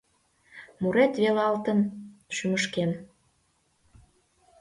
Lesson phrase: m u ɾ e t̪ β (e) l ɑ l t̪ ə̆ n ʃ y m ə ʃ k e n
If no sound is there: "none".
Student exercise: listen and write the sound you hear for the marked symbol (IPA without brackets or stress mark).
e